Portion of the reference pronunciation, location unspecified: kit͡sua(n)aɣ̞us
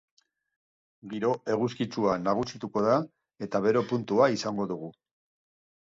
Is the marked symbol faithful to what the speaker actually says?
yes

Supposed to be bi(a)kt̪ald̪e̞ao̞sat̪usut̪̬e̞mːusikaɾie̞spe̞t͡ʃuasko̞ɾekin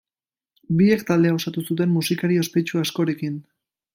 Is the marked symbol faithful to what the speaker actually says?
no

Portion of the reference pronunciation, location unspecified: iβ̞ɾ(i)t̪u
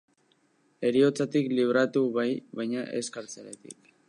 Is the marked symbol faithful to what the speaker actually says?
no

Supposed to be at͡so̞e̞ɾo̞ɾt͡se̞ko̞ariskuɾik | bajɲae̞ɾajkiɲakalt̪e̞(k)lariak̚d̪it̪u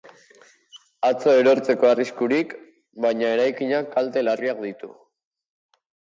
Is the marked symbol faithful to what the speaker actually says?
no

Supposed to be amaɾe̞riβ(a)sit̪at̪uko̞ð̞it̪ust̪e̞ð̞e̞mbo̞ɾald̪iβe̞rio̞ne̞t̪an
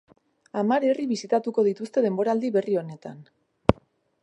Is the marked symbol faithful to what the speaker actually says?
no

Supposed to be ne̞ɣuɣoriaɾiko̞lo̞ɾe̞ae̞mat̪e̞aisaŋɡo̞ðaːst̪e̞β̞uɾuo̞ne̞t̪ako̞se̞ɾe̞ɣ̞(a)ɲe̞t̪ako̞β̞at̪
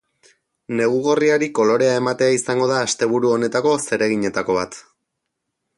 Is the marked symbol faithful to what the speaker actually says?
no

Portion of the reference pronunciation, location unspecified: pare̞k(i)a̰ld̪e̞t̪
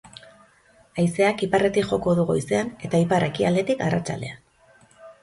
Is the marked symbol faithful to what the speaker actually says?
yes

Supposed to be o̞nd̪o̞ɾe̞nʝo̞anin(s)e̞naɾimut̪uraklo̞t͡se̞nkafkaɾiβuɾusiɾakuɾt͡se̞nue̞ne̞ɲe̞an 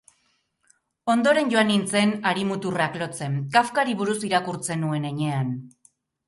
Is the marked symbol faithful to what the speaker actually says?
no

